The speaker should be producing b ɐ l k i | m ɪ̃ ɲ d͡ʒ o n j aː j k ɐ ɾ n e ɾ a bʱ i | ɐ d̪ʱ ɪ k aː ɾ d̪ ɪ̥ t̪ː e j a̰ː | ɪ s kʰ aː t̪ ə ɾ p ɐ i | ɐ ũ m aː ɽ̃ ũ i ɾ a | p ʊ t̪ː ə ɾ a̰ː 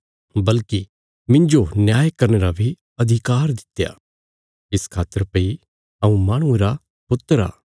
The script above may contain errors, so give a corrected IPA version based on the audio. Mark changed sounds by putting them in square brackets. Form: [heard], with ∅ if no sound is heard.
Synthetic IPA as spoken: b ɐ l k i | m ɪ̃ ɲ d͡ʒ o n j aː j k ɐ ɾ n e ɾ a bʱ i | ɐ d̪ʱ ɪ k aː ɾ d̪ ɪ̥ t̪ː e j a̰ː | ɪ s kʰ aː t̪ ə ɾ p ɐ i | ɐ ũ m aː ɽ̃ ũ [e] ɾ a | p ʊ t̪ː ə ɾ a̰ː